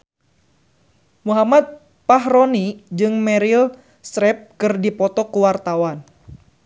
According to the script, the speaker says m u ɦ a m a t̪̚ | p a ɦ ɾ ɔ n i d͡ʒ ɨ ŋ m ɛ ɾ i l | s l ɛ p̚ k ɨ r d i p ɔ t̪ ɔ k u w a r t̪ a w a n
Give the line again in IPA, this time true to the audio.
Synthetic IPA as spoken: m u ɦ a m a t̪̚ | p a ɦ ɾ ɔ n i d͡ʒ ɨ ŋ m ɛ ɾ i l | s ɾ ɛ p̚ k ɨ r d i p ɔ t̪ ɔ k u w a r t̪ a w a n